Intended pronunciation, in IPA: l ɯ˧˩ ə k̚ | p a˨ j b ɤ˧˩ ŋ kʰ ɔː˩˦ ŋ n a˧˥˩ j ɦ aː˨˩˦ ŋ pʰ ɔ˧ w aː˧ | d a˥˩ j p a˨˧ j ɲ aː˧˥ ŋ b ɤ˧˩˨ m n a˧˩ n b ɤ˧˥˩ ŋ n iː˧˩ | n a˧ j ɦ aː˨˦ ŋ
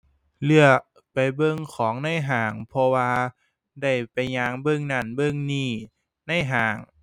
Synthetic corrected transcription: l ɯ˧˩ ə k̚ | p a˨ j b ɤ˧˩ ŋ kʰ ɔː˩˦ ŋ n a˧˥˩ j ɦ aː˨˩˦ ŋ pʰ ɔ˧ w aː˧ | d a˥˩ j p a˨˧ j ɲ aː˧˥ ŋ b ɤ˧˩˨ ŋ n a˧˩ n b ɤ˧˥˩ ŋ n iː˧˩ | n a˧˥˩ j ɦ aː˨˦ ŋ

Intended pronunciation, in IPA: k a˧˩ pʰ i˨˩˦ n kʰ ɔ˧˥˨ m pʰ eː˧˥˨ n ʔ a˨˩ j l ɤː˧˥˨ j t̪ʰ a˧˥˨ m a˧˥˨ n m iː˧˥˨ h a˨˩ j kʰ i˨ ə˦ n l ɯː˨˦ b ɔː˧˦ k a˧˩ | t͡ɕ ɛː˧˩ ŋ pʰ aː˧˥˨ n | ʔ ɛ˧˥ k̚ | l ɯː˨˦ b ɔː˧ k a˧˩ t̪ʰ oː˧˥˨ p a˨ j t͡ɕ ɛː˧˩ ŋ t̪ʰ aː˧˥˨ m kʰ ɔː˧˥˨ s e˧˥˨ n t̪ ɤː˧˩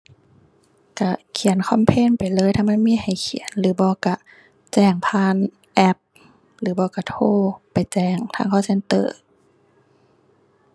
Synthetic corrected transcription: k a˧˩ kʰ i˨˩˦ n kʰ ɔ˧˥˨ m pʰ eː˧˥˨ n p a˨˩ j l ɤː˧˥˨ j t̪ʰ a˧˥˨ m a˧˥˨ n m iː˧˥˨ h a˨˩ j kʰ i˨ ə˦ n l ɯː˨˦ b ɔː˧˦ k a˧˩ | t͡ɕ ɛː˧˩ ŋ pʰ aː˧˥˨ n | ʔ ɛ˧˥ p̚ | l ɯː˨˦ b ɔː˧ k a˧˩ t̪ʰ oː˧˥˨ p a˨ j t͡ɕ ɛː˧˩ ŋ t̪ʰ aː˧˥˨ ŋ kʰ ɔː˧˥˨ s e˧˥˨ n t̪ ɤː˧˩

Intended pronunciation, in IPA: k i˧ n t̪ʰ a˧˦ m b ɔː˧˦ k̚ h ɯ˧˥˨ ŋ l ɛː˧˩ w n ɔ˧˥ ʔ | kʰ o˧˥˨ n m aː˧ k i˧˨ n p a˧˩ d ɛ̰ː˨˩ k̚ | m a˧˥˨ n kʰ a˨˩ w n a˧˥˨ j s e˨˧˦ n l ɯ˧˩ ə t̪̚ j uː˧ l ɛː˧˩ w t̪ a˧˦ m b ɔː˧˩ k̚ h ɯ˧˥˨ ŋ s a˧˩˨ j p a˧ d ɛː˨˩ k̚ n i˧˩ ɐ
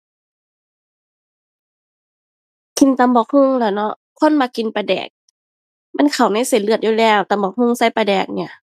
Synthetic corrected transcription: k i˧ n t̪ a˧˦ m b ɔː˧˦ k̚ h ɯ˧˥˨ ŋ l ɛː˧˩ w n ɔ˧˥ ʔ | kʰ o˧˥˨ n m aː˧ k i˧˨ n p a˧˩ d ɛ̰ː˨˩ k̚ | m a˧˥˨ n kʰ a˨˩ w n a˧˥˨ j s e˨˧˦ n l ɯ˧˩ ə t̪̚ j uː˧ l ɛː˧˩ w t̪ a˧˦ m b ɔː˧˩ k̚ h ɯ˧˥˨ ŋ s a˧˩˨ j p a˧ d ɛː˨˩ k̚ n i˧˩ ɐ

